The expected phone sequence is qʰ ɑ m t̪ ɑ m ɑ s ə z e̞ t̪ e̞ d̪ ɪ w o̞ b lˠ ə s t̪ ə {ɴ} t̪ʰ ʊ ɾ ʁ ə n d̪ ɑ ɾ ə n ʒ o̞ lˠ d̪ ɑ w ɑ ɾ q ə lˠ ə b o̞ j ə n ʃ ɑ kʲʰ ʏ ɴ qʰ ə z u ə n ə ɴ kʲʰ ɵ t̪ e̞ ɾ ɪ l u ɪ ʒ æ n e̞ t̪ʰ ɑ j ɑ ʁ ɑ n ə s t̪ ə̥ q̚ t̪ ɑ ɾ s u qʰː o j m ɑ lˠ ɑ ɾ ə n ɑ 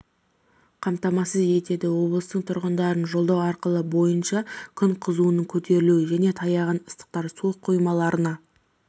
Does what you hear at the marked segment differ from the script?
no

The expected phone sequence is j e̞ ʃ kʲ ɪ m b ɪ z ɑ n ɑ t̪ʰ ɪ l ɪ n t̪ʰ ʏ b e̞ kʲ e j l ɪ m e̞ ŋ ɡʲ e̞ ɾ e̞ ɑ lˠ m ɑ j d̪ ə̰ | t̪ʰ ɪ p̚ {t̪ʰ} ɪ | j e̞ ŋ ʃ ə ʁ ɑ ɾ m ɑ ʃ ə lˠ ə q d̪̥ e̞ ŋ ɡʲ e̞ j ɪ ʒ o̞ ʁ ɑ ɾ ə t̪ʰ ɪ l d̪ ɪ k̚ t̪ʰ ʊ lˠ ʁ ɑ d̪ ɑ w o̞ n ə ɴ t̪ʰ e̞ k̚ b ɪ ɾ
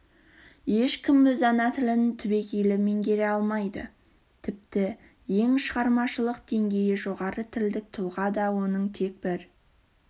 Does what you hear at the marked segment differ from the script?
yes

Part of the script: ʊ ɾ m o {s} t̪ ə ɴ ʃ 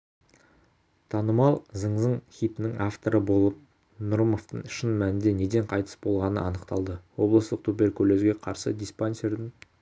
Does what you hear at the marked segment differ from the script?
yes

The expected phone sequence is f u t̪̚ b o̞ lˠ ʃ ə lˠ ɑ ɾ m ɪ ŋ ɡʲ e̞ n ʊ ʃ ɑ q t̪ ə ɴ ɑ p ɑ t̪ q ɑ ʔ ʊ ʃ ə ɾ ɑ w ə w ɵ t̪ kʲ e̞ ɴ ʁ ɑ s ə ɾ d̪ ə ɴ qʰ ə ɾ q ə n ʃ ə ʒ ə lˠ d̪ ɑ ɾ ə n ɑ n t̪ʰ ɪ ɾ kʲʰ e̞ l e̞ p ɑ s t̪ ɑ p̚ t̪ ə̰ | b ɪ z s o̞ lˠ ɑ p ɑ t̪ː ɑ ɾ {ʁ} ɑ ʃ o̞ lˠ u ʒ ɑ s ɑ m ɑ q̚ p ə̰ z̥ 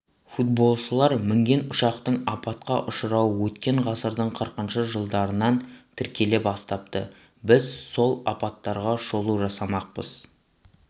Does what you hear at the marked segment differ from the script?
no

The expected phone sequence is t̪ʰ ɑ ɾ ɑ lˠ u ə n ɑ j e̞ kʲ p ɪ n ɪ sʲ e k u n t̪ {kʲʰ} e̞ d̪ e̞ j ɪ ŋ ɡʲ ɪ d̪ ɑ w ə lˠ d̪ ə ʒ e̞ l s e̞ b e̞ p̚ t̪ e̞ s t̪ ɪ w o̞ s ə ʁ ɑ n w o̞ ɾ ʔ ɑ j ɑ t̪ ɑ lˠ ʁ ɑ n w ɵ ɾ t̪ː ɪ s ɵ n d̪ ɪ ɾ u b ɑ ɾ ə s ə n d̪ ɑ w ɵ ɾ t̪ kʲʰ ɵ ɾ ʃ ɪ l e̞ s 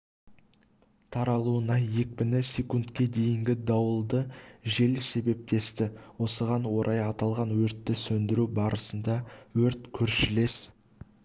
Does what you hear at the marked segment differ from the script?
yes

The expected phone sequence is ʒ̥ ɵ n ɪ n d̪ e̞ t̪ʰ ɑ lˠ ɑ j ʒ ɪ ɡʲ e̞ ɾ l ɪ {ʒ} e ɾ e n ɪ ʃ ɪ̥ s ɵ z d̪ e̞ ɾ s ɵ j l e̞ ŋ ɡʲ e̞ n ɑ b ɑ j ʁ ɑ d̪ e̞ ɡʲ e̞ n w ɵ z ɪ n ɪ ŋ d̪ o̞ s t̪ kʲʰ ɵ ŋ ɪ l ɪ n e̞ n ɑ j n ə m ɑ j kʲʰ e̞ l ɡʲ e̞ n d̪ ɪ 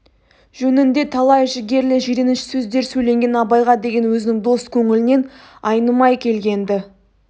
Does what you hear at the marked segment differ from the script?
no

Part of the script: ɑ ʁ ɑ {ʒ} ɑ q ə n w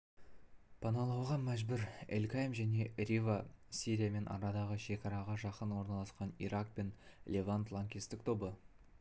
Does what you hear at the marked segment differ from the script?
no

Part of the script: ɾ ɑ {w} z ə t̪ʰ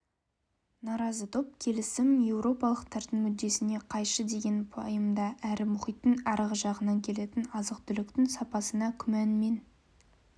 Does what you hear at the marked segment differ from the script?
yes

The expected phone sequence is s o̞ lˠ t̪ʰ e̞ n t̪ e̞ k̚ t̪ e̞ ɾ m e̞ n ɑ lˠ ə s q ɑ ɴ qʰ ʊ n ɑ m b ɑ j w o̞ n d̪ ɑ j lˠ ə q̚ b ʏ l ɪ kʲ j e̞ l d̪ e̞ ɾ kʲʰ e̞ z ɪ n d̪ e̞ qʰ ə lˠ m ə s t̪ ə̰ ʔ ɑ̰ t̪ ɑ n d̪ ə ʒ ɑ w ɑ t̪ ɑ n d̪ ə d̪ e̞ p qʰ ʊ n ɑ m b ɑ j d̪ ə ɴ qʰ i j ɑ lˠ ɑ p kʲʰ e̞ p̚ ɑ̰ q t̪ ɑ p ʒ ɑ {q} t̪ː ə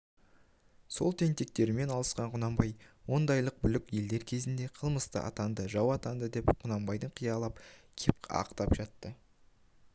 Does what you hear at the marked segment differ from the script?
yes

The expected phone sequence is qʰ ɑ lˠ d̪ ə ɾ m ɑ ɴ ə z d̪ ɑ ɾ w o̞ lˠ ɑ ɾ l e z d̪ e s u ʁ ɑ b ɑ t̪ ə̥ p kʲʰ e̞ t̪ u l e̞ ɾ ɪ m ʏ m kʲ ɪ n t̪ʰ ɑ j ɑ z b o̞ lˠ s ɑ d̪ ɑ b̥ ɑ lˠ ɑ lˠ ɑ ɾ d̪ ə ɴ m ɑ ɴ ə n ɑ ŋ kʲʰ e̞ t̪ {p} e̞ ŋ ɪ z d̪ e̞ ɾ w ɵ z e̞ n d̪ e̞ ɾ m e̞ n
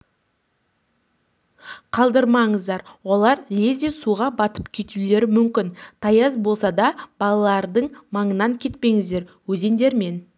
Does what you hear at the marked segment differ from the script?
no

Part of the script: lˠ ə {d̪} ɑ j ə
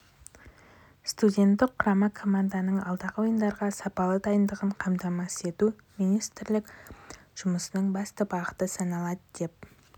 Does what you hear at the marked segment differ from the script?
no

